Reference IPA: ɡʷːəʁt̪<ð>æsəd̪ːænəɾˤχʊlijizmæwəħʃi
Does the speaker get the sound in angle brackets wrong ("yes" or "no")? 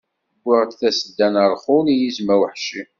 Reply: yes